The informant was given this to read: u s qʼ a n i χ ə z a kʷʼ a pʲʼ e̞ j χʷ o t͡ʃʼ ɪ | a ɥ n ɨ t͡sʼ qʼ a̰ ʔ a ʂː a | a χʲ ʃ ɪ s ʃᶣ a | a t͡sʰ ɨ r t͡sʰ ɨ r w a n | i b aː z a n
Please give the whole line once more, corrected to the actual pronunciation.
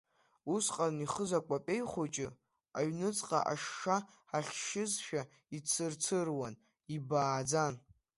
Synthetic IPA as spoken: u s qʼ a n i χ ə z a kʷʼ a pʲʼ e̞ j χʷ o t͡ʃʼ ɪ | a ɥ n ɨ t͡sʼ qʼ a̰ ʔ a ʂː a | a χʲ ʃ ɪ z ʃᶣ a | i t͡sʰ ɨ r t͡sʰ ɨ r w a n | i b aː d͡z a n